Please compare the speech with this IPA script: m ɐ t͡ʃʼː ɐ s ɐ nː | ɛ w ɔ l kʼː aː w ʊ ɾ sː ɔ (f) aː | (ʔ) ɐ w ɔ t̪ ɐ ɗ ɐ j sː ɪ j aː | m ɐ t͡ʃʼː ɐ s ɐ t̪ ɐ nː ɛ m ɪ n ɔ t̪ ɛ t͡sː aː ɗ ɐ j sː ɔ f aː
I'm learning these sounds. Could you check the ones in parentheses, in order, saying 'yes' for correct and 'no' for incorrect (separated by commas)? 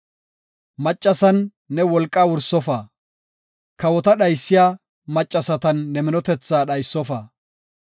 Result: yes, no